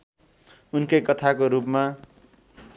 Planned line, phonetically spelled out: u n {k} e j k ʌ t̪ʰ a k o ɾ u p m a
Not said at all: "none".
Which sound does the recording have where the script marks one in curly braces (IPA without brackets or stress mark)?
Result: k